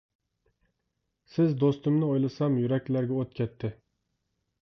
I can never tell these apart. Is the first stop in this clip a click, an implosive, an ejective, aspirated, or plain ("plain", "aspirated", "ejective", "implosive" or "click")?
plain